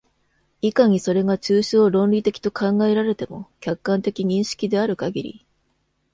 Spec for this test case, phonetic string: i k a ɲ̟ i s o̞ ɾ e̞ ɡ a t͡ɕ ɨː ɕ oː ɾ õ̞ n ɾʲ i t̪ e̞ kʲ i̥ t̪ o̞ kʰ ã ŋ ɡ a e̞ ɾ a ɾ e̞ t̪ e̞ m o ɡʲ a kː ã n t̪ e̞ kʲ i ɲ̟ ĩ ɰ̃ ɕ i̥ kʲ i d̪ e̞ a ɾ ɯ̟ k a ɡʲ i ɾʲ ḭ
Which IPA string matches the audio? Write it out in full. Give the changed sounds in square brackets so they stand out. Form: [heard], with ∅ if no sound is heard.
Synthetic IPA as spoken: i k a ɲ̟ i s o̞ ɾ e̞ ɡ a t͡ɕ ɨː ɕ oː ɾ õ̞ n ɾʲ i t̪ e̞ kʲ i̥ t̪ o̞ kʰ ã ŋ ɡ a e̞ ɾ a ɾ e̞ t̪ e̞ m o [kʲ] a kː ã n t̪ e̞ kʲ i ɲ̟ ĩ ɰ̃ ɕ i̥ kʲ i d̪ e̞ a ɾ ɯ̟ k a ɡʲ i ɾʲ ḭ